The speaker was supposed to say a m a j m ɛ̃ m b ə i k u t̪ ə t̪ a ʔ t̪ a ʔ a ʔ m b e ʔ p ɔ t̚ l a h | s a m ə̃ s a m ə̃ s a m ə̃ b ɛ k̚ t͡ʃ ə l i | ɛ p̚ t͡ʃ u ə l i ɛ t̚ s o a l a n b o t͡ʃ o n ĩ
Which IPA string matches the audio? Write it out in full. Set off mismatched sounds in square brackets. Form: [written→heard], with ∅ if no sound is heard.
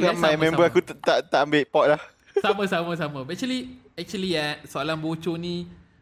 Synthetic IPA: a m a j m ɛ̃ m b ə [i→a] k u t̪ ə t̪ a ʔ t̪ a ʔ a [ʔ→∅] m b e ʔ p ɔ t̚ l a h | s a m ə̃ s a m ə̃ s a m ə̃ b ɛ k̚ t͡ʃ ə l i | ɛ [p̚→k̚] t͡ʃ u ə l i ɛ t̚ s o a l a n b o t͡ʃ o n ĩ